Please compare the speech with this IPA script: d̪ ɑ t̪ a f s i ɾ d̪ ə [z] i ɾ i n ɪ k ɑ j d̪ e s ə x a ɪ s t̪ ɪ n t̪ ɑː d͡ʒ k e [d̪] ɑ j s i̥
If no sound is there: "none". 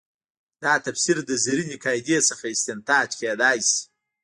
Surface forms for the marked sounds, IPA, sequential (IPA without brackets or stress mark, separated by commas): z, d̪